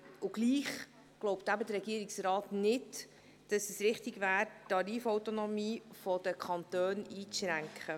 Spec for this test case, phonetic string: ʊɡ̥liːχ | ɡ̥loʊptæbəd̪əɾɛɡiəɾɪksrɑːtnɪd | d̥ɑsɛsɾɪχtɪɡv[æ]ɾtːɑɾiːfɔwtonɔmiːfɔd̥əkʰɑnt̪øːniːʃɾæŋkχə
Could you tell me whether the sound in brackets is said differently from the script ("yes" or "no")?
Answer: yes